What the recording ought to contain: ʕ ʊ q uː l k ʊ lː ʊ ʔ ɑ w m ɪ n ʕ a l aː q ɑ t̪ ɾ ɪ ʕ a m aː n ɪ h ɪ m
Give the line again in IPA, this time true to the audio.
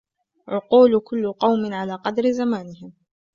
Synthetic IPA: ʕ ʊ q uː l k ʊ lː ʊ q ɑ w m ɪ n ʕ a l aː q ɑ d̪ ɾ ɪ z a m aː n ɪ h ɪ m